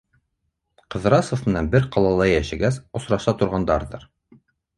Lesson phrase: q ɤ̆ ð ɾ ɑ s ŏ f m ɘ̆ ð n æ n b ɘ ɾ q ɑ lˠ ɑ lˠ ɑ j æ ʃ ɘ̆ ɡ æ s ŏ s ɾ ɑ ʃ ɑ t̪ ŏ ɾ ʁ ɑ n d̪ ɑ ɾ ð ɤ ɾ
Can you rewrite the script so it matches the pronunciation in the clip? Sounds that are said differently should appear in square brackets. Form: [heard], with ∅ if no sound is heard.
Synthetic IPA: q ɤ̆ ð ɾ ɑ s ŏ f m ɘ̆ [∅] n æ n b ɘ ɾ q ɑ lˠ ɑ lˠ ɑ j æ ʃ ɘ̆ ɡ æ s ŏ s ɾ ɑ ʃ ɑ t̪ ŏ ɾ ʁ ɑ n d̪ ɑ ɾ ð ɤ ɾ